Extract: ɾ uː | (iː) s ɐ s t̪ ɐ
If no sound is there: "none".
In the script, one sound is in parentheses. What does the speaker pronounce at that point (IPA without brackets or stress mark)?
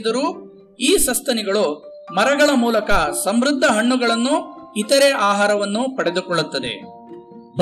iː